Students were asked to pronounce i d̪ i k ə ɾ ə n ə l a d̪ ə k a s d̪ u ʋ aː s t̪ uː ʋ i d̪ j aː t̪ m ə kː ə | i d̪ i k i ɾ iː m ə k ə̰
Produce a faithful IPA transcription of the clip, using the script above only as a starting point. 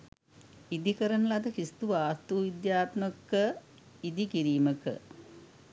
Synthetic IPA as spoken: i d̪ i k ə ɾ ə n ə l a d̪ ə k i s t̪ u ʋ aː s t̪ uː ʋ i d̪ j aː t̪ m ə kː ə | i d̪ i k i ɾ iː m ə k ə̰